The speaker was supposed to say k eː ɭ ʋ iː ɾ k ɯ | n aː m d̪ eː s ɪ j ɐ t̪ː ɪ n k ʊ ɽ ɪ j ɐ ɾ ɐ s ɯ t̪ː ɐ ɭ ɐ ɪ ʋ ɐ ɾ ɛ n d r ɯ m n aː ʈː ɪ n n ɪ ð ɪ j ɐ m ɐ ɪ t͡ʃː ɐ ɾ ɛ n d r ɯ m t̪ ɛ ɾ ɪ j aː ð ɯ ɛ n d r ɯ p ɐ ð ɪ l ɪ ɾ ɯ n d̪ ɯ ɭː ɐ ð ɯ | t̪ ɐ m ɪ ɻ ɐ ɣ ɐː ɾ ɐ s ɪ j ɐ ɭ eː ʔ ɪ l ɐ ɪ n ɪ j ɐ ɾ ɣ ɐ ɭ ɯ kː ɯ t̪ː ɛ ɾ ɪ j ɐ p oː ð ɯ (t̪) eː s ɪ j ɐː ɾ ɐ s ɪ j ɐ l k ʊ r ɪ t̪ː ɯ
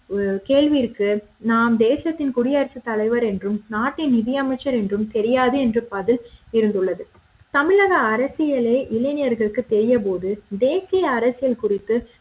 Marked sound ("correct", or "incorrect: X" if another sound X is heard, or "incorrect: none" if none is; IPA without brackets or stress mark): incorrect: d̪